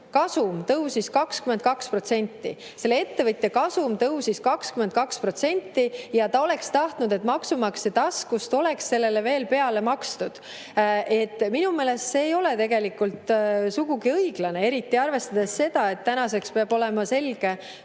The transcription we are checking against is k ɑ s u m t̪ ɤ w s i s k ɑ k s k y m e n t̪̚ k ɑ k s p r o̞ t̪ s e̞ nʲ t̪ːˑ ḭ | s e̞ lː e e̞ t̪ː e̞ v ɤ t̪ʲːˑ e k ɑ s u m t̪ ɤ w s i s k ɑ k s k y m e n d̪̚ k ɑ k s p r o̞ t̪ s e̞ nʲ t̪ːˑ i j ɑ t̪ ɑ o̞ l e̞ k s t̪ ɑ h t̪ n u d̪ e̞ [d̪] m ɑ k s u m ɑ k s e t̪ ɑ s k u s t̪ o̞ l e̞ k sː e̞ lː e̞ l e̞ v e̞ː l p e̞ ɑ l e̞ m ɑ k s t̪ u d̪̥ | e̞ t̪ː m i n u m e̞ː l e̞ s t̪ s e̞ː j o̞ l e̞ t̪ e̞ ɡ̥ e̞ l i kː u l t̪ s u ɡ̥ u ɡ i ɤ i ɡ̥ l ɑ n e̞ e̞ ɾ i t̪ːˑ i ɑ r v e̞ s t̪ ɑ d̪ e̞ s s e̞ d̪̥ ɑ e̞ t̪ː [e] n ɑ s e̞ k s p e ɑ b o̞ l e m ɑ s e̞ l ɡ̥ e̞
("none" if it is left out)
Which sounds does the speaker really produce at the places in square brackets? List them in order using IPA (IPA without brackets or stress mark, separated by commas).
t̪, æ